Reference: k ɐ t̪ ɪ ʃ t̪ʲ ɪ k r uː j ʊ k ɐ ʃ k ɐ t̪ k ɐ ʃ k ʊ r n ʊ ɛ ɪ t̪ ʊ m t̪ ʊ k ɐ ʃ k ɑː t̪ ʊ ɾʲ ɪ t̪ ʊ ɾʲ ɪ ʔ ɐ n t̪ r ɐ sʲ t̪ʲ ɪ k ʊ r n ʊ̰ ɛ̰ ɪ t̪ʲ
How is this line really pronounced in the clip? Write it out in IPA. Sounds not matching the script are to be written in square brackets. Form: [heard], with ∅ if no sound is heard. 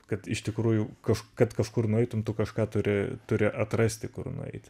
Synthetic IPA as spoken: k ɐ t̪ ɪ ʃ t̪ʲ ɪ k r uː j ʊ k ɐ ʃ k ɐ t̪ k ɐ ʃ k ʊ r n ʊ ɛ ɪ t̪ ʊ m t̪ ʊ k ɐ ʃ k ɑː t̪ ʊ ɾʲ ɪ t̪ ʊ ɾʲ ɪ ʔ ɐ [∅] t̪ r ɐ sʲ t̪ʲ ɪ k ʊ r n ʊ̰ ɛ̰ ɪ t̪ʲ